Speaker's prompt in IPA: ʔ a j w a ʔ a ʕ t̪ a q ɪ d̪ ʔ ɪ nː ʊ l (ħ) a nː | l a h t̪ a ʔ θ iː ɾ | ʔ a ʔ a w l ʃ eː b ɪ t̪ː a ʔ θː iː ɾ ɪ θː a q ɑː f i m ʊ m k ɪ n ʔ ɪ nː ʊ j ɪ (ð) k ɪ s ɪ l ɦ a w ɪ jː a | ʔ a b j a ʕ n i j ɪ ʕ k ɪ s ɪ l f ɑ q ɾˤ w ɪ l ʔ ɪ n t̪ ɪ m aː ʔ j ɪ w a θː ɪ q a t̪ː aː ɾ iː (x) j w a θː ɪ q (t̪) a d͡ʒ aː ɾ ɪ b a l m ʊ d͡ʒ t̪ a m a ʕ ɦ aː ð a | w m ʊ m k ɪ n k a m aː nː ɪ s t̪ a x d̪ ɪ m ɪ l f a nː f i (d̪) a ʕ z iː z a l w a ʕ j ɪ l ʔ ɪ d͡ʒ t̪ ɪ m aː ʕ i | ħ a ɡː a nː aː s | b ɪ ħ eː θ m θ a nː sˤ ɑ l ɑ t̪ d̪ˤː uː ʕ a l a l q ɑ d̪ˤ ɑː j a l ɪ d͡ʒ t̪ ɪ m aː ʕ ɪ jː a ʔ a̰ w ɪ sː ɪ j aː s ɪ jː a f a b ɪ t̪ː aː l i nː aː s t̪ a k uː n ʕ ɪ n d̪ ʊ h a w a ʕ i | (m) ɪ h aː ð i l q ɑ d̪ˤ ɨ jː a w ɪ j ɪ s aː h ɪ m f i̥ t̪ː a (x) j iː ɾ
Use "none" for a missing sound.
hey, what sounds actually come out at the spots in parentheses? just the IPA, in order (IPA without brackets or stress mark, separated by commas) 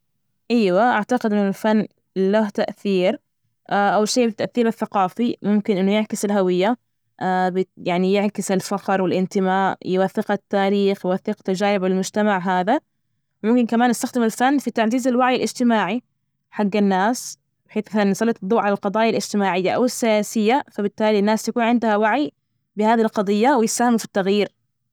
f, ʕ, x, t̪, t̪, b, ɣ